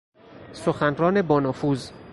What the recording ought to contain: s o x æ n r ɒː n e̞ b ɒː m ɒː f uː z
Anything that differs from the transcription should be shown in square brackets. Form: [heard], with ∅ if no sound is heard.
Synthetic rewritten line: s o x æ n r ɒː n e̞ b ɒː [n] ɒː f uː z